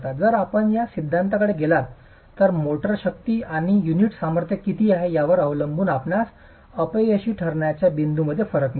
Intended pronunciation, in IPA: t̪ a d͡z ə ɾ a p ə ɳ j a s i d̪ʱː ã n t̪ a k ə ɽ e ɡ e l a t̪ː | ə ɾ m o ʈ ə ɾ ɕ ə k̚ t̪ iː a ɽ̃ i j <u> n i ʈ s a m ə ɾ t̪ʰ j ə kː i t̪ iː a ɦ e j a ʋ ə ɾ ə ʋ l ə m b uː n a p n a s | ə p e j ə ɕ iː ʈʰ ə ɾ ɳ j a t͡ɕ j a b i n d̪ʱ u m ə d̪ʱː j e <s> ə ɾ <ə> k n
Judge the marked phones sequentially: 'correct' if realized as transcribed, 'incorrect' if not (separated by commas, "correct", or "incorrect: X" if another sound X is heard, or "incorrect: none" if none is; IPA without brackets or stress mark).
correct, incorrect: f, correct